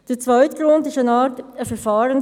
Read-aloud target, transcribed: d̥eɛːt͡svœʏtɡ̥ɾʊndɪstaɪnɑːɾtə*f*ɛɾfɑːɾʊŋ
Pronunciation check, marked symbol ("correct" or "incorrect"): correct